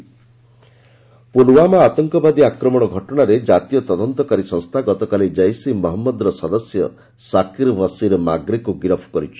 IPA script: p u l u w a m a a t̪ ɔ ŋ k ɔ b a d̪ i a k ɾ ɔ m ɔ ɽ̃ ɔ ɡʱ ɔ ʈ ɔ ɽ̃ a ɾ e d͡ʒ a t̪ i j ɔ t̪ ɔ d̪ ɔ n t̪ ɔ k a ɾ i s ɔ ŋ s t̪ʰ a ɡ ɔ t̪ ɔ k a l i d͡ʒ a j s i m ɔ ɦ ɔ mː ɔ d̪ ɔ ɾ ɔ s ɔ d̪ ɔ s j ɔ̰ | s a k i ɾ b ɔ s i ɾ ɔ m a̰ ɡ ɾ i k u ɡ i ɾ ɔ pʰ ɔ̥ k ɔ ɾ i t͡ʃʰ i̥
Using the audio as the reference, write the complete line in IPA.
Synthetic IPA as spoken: p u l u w a m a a t̪ ɔ ŋ k ɔ b a d̪ i a k ɾ ɔ m ɔ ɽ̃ ɔ ɡʱ ɔ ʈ ɔ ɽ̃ a ɾ e d͡ʒ a t̪ i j ɔ t̪ ɔ d̪ ɔ n t̪ ɔ k a ɾ i s ɔ ŋ s t̪ʰ a ɡ ɔ t̪ ɔ k a l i d͡ʒ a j s i m ɔ ɦ ɔ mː ɔ d̪ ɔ ɾ ɔ s ɔ d̪ ɔ s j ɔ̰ | s a k i ɾ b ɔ s i ɾ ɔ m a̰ ɡ ɾ i k u ɡ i ɾ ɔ pʰ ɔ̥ k ɔ ɾ i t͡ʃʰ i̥